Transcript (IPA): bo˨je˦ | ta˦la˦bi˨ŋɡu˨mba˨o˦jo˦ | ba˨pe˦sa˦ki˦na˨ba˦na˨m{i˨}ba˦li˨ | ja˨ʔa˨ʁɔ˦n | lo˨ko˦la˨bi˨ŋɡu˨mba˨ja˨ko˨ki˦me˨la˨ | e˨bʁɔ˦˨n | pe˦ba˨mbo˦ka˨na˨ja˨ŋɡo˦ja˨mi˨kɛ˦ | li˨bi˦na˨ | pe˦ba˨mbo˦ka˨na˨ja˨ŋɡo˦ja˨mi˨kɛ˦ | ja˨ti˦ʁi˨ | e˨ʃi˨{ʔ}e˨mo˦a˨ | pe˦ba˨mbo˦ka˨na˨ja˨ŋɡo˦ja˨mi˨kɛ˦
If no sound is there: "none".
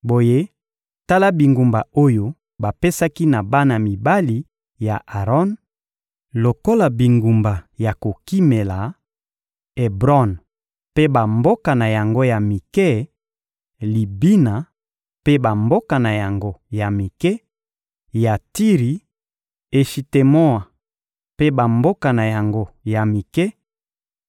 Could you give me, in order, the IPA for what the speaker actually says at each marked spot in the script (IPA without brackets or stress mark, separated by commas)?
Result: i˨, t